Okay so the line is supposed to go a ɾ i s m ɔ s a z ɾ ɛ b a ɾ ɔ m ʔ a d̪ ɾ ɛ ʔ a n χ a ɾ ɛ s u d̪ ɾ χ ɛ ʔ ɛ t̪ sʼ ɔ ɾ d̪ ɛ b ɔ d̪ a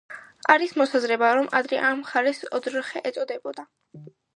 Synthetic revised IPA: a ɾ i s m ɔ s a z ɾ ɛ b a ɾ ɔ m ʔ a d̪ ɾ ɛ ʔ a m χ a ɾ ɛ s ɔ d̪ ɾ χ ɛ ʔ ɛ t̪ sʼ ɔ d̪ ɛ b ɔ d̪ a